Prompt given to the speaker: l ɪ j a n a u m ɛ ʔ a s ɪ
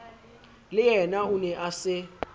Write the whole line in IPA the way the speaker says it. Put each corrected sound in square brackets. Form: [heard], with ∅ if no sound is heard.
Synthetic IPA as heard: l ɪ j [ɛ] n a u [n] ɛ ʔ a s ɪ